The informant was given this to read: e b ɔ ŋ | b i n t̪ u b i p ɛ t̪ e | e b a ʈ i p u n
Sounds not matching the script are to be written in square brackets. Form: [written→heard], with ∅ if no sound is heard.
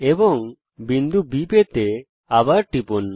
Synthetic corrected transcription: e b ɔ ŋ | b i n [t̪→d̪] u b i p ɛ t̪ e | [e→a] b a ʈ i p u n

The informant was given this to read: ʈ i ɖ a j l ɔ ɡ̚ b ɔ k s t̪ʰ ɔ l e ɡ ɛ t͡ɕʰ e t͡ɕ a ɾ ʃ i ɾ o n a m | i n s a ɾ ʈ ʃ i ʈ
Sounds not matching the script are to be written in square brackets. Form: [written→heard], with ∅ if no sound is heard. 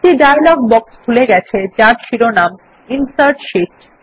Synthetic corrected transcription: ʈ i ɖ a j l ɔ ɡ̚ b ɔ k s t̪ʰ [ɔ→u] l e ɡ ɛ t͡ɕʰ e t͡ɕ a ɾ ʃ i ɾ o n a m | i n s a ɾ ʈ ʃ i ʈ

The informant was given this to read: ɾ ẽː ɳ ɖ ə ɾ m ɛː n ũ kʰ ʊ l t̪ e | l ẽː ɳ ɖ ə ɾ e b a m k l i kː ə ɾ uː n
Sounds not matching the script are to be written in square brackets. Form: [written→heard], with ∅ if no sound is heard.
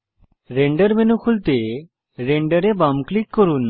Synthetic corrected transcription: ɾ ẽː ɳ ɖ ə ɾ m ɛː n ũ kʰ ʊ l t̪ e | [l→ɾ] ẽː ɳ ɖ ə ɾ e b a m k l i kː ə ɾ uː n

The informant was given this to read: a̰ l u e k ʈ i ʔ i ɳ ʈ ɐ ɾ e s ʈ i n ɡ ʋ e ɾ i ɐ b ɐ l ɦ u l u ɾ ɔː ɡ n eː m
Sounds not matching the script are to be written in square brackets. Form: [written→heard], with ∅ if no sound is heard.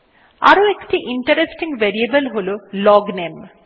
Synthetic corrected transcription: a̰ [l→ɾ] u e k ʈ i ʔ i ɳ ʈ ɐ ɾ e s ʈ i [n→ŋ] ɡ ʋ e ɾ i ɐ b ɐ l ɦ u l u [ɾ→l] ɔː ɡ n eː m

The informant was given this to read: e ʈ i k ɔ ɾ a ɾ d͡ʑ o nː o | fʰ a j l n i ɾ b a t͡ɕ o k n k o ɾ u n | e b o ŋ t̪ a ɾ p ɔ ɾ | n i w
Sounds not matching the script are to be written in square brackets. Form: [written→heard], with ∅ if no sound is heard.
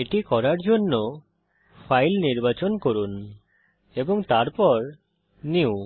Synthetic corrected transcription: e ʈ i k ɔ ɾ a ɾ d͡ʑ o nː o | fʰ a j l n i ɾ b a t͡ɕ o [k→∅] n k o ɾ u n | e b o ŋ t̪ a ɾ p ɔ ɾ | n i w

